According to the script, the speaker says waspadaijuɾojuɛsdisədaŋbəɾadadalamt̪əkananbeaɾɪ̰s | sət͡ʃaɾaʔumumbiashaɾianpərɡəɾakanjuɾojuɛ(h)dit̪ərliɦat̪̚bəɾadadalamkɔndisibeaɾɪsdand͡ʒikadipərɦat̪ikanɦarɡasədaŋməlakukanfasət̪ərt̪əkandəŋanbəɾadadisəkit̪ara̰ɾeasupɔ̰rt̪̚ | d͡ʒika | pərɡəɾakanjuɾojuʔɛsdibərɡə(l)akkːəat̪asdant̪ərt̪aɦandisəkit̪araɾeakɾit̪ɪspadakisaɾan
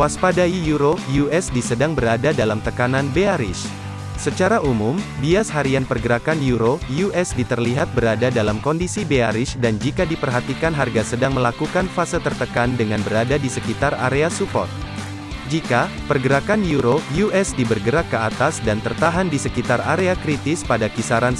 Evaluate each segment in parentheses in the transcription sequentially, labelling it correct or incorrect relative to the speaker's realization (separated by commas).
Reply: incorrect, incorrect